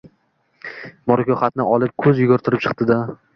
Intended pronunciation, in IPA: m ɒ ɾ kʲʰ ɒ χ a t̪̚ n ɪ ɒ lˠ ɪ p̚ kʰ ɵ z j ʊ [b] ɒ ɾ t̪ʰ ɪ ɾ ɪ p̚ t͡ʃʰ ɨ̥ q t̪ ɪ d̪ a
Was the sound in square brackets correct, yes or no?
no